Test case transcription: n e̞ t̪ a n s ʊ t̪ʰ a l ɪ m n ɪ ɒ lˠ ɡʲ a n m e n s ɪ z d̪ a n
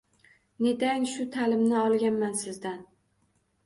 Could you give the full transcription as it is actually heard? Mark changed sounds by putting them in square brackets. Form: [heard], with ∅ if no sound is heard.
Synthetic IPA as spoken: n e̞ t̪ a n [ʃ] ʊ t̪ʰ a l ɪ m n ɪ ɒ lˠ ɡʲ a n m [a] n s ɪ z d̪ a n